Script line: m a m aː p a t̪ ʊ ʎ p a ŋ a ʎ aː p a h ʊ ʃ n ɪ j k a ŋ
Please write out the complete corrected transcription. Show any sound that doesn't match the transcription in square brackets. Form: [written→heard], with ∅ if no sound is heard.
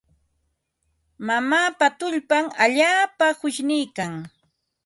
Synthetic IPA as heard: m a m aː p a t̪ ʊ ʎ p a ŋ a ʎ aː p a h ʊ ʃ n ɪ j k a ŋ

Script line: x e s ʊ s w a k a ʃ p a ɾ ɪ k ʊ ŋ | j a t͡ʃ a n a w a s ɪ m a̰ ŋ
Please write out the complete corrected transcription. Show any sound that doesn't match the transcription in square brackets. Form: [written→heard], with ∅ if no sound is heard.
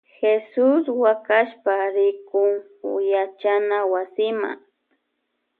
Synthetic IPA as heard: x e s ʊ s w a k a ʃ p a ɾ ɪ k ʊ ŋ | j a t͡ʃ a n a w a s ɪ m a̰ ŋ

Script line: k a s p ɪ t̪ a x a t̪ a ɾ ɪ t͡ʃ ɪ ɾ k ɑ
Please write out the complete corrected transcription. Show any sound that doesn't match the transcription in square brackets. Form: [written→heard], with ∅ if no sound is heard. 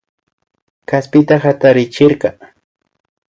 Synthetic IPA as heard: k a s p ɪ t̪ a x a t̪ a ɾ ɪ t͡ʃ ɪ ɾ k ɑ

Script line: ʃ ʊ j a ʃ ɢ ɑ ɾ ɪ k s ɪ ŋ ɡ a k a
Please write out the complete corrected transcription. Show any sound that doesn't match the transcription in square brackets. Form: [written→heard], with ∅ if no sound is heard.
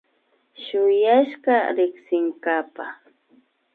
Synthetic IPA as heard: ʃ ʊ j a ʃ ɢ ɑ ɾ ɪ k s ɪ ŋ [ɡ→k] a [k→p] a

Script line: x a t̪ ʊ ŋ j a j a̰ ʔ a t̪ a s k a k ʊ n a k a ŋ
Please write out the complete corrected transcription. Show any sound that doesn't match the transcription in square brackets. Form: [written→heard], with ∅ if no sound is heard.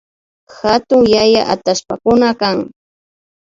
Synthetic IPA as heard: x a t̪ ʊ ŋ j a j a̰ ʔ a t̪ a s [k→p] a k ʊ n a k a ŋ

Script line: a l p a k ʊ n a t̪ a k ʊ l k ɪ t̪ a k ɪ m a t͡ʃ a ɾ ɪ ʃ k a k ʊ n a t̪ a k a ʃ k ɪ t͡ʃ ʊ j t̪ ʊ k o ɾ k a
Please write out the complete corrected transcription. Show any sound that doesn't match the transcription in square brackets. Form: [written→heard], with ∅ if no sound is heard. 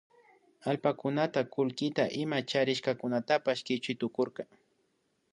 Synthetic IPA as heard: a l p a k ʊ n a t̪ a k ʊ l k ɪ t̪ a [k→ʔ] ɪ m a t͡ʃ a ɾ ɪ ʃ k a k ʊ n a t̪ a [k→p] a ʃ k ɪ t͡ʃ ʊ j t̪ ʊ k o ɾ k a

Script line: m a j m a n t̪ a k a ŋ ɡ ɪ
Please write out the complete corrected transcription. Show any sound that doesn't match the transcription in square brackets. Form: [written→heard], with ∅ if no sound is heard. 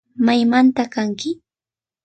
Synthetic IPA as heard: m a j m a n t̪ a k a ŋ [ɡ→k] ɪ

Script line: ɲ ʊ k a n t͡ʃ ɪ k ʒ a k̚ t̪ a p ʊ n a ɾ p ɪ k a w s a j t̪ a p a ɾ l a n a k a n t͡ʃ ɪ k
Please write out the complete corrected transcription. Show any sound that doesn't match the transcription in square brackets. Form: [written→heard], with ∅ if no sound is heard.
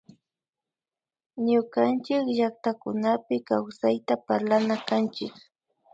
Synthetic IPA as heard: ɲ ʊ k a n t͡ʃ ɪ k ʒ a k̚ t̪ a [p→k] ʊ n a [ɾ→∅] p ɪ k a w s a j t̪ a p a ɾ l a n a k a n t͡ʃ ɪ k

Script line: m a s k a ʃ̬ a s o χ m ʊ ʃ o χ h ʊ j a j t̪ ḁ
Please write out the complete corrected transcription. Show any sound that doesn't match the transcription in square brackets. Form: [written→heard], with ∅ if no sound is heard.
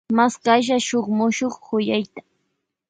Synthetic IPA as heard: m a s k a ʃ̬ a [s→ʃ] o χ m ʊ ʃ o χ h ʊ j a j t̪ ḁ

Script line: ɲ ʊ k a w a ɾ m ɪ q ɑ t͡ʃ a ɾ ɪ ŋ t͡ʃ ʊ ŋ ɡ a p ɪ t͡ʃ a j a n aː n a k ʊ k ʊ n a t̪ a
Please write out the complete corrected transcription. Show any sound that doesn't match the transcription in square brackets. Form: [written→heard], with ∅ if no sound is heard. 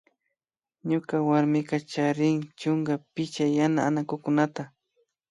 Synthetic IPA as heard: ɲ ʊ k a w a ɾ m ɪ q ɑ t͡ʃ a ɾ ɪ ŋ t͡ʃ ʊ ŋ ɡ a p ɪ t͡ʃ a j a n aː n a k ʊ k ʊ n a t̪ a

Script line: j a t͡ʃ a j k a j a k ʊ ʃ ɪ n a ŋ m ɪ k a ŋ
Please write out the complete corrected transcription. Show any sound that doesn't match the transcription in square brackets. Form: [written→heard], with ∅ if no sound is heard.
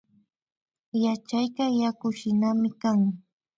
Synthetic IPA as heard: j a t͡ʃ a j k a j a k ʊ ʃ ɪ n a [ŋ→∅] m ɪ k a ŋ

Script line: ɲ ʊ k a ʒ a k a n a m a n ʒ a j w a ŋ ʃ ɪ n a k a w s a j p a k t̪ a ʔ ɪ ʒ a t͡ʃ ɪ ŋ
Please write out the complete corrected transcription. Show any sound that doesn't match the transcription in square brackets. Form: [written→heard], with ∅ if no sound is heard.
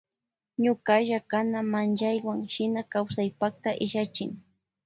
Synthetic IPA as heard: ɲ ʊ k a ʒ a k a n a m a n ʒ a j w a ŋ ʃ ɪ n a k a w s a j p a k t̪ a ʔ ɪ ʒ a t͡ʃ ɪ ŋ

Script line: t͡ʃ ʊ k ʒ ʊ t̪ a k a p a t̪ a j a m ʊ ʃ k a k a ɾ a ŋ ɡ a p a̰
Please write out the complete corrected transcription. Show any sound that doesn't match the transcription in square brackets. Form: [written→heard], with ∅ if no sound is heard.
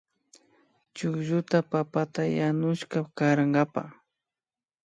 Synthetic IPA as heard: t͡ʃ ʊ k ʒ ʊ t̪ a [k→p] a p a t̪ a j a [m→n] ʊ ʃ k a k a ɾ a ŋ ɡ a p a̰

